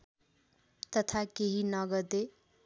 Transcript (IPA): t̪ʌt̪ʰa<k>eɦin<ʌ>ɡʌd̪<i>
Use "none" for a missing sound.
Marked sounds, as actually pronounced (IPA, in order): k, ʌ, e

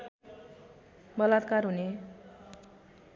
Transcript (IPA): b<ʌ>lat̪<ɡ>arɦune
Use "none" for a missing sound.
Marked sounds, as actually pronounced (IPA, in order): ʌ, k

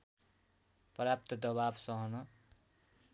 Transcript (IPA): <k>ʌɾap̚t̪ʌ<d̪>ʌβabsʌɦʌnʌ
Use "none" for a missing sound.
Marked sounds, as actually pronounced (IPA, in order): p, d̪

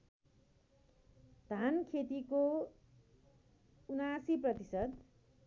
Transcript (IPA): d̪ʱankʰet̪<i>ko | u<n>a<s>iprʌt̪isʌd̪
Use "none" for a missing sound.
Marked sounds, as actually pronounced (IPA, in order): i, n, s

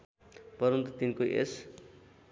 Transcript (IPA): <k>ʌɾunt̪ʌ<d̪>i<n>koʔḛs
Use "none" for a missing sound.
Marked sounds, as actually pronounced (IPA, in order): p, t̪, n

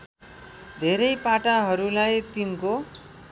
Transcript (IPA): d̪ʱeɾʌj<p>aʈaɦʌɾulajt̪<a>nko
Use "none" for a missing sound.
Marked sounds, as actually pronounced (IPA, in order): p, i

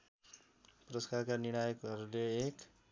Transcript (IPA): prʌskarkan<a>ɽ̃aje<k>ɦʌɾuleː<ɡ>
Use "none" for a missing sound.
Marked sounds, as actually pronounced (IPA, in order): i, k, k

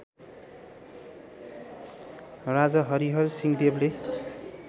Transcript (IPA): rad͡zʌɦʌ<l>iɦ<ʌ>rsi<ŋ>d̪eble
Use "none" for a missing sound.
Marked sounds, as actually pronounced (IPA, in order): ɾ, ʌ, ŋ

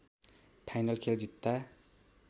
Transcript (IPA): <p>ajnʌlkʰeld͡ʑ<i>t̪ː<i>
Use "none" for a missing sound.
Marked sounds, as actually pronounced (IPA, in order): pʰ, i, a

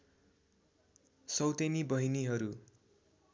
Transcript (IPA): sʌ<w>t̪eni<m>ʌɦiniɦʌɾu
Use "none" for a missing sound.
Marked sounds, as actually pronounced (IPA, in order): w, b

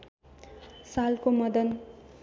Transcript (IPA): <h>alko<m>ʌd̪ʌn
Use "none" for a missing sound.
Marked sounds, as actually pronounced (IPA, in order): s, m

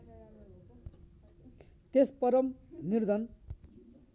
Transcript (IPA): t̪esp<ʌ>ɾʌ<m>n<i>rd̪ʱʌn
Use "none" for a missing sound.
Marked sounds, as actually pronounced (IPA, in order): ʌ, m, i

